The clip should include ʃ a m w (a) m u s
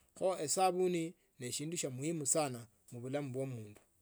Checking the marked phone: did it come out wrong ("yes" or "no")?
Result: yes